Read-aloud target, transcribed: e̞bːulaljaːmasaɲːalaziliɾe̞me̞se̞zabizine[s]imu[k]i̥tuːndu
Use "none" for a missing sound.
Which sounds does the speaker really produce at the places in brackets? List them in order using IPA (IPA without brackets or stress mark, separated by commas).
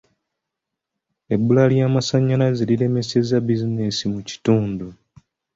s, c